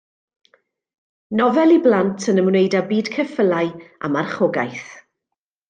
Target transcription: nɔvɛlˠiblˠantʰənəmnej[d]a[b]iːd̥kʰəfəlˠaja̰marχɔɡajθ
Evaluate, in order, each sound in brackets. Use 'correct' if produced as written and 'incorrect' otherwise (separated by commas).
correct, correct